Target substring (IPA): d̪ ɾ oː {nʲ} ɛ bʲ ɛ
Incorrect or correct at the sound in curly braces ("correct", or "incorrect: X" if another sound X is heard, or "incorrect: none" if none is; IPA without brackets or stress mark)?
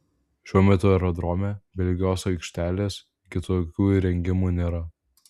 incorrect: mʲ